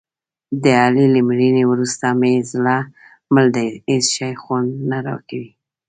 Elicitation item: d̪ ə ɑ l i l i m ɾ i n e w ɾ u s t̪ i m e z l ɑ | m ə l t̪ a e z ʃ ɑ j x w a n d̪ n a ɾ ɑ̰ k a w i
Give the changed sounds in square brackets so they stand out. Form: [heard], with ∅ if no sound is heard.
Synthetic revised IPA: d̪ ə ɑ l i l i m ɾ i n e w ɾ u s t̪ [a] m e z l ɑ | m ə l [d̪] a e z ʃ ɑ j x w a n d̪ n a ɾ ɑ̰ k a w i